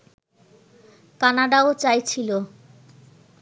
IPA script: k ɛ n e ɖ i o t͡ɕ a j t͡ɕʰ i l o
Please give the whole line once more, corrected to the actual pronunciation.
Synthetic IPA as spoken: k a n a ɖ a o t͡ɕ a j t͡ɕʰ i l o